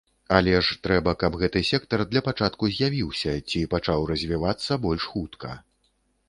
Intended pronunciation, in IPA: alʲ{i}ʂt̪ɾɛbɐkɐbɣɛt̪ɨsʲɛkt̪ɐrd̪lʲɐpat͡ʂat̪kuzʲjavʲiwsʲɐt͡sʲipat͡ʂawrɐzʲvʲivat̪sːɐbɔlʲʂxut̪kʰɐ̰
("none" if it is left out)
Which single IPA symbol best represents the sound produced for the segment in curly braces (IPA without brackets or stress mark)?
ɛ